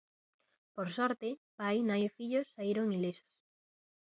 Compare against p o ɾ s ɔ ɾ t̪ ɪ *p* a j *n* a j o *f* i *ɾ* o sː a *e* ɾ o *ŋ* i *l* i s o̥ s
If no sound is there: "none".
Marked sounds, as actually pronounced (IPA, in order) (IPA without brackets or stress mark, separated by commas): p, n, f, ʎ, i, ŋ, l